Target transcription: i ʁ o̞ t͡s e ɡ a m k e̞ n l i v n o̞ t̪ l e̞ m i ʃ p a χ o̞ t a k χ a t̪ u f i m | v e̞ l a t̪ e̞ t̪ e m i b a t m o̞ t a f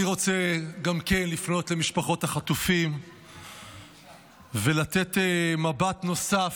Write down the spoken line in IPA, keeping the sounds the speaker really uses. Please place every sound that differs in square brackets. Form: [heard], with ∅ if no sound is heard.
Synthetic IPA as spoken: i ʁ o̞ t͡s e ɡ a m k e̞ n l i [f] n o̞ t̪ l e̞ m i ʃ p a χ o̞ t a [∅] χ a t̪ u f i m | v e̞ l a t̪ e̞ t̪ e m [a] b a t [n] o̞ [s] a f

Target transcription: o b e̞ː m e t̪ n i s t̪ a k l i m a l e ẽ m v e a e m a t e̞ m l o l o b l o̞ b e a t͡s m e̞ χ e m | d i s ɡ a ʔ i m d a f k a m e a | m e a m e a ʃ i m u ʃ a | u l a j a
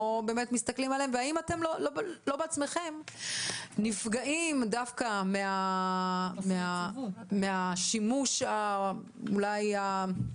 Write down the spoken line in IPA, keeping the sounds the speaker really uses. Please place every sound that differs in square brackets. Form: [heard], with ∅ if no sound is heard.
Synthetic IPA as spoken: o b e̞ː m e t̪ [m] i s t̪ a k l i m a l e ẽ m v e a [i] m a t e̞ m l o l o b l o̞ b e a t͡s m e̞ χ e m | [n] i [f] ɡ a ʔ i m d a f k a m e a | m e a m e a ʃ i m u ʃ a | u l a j a

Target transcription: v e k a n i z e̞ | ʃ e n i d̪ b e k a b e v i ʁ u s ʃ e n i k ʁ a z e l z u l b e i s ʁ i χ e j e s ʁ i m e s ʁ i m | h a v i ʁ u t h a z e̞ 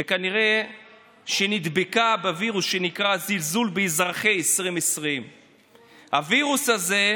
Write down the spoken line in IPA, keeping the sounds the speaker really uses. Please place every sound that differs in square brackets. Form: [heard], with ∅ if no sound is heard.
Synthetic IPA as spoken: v e k a n i [ʁ] e̞ | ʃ e n i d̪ b e k a b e v i ʁ u s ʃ e n i k ʁ a z [i] l z u l b e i [z] ʁ [a] χ e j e s ʁ i m e s ʁ i m | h a v i ʁ u [s] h a z e̞

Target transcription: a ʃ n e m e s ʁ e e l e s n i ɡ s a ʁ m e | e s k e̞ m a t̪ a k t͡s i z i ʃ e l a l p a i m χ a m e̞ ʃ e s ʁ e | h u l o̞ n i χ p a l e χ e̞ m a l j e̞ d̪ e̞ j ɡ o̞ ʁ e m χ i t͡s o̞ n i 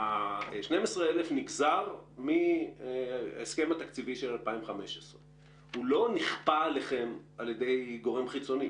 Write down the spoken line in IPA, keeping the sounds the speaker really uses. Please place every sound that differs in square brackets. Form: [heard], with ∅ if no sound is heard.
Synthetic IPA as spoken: a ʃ n e m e s ʁ e e l e [f] n i ɡ [z] a ʁ m [i] | e s k e̞ m a t̪ a k t͡s i [v] i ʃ e l a l p a i m χ a m e̞ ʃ e s ʁ e | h u l o̞ n i χ p a l e χ e̞ m a l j e̞ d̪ e̞ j ɡ o̞ ʁ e m χ i t͡s o̞ n i

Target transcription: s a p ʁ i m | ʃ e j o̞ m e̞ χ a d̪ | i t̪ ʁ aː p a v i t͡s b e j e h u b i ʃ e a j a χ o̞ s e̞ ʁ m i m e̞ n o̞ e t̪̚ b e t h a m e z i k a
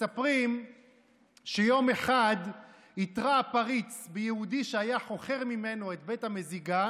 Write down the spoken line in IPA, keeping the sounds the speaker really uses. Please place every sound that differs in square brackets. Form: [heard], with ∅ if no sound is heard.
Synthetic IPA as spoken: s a p ʁ i m | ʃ e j o̞ m e̞ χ a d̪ | i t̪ ʁ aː p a [ʁ] i t͡s b e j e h u [d] i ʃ e a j a χ o̞ [χ] e̞ ʁ m i m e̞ n o̞ e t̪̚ b e t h a m e z i [ɡ] a

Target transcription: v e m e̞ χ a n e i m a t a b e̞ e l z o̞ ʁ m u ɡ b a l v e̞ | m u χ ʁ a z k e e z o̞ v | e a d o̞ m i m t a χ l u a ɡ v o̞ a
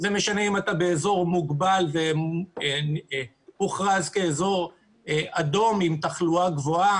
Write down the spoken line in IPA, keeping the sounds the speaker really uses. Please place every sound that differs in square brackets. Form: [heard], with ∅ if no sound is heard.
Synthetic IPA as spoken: [z] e m e̞ [ʃ] a n e i m a t a b e̞ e [∅] z o̞ ʁ m u ɡ b a l v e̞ | m u χ ʁ a z k e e z o̞ [ʁ] | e a d o̞ m i m t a χ l u a ɡ v o̞ a

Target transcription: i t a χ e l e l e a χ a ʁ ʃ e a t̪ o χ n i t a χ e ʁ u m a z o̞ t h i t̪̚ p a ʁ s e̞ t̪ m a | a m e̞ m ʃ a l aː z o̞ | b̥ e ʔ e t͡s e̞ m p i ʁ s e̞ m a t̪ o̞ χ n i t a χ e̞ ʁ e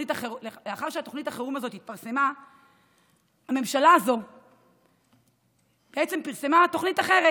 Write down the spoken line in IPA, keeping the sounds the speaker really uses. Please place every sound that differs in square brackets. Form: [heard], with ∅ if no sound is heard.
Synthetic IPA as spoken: i t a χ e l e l e a χ a ʁ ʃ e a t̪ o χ n i t a χ e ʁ u m a z o̞ t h i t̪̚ p a ʁ s e̞ [∅] m a | a m e̞ m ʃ a l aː z o̞ | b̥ e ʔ e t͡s e̞ m p i ʁ s e̞ m a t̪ o̞ χ n i t a χ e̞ ʁ e

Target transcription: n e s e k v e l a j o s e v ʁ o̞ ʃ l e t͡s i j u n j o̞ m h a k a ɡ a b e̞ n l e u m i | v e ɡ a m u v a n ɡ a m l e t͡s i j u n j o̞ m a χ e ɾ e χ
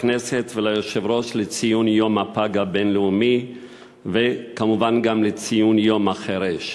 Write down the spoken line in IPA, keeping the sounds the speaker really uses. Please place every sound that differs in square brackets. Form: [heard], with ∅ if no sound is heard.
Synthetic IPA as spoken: n e s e [t] v e l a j o [ʃ] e v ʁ o̞ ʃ l e t͡s i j u n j o̞ m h a [p] a ɡ a b e̞ n l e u m i | v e [k] a m u v a n ɡ a m l e t͡s i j u n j o̞ m a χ e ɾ e [ʃ]

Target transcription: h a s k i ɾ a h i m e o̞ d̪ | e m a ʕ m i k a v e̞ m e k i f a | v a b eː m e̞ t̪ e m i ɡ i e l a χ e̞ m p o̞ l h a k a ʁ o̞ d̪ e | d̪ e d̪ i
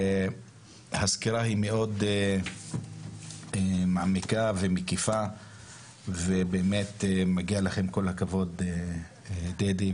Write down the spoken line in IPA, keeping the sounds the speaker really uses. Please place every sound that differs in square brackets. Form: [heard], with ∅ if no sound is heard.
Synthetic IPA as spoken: h a s k i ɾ a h i m e o̞ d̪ | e m a ʕ m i k a v e̞ m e k i f a | v [e] b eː m e̞ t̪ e m [a] ɡ i [a] l a χ e̞ m [k] o̞ l h a k a [v] o̞ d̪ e | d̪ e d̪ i

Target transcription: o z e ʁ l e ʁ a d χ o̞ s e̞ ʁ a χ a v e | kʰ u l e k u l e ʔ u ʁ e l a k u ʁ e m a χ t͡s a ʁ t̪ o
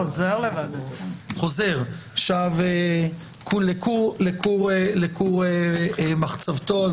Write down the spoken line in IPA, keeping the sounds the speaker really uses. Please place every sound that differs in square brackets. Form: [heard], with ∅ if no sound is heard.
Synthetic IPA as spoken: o z e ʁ l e [v] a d χ o̞ [z] e̞ ʁ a [ʃ] a v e | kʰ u l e k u l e [k] u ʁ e l [e] k u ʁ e m a χ t͡s a [v] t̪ o

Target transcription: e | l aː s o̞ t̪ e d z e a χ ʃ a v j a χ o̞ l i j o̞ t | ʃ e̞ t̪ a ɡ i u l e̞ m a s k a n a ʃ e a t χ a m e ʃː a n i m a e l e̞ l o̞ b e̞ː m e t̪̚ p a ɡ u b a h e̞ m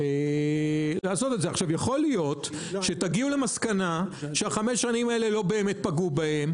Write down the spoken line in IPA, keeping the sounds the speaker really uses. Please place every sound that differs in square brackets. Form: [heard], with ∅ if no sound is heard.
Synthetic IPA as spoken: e | l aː s o̞ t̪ e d z e a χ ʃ a v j a χ o̞ l i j o̞ t | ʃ e̞ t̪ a ɡ i u l e̞ m a s k a n a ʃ e a [∅] χ a m e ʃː a n i m a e l e̞ l o̞ b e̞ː m e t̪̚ p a ɡ u b a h e̞ m

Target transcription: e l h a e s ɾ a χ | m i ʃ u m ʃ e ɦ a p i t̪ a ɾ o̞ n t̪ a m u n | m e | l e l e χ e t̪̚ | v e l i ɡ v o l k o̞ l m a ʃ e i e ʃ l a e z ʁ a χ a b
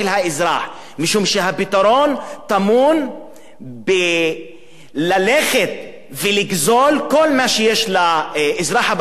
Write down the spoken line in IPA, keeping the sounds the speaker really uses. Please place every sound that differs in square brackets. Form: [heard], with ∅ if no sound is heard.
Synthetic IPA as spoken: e l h a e [z] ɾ a [ħ] | m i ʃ u m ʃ e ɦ a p i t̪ a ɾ o̞ n t̪ a m u n | [b] e | l [a] l e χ e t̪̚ | v e l i ɡ [z] o l k o̞ l m a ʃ e [j] e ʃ l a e z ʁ a [ħ] a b

